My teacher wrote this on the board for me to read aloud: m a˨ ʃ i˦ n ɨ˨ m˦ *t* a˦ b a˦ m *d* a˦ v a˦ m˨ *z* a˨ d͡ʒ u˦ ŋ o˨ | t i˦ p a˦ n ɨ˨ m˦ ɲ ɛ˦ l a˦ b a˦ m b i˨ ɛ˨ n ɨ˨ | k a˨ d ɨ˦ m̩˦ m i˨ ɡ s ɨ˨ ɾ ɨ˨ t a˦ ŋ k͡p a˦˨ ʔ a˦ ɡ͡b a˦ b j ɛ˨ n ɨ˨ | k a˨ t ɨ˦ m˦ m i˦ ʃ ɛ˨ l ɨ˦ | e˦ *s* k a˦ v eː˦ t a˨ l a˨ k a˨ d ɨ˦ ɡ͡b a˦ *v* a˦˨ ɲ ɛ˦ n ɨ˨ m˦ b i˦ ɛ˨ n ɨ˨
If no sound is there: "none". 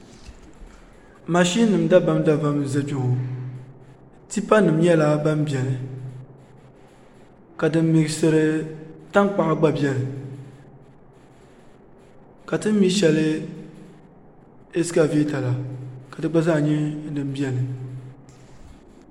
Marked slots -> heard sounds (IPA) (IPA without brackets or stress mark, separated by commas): d, d, z, s, z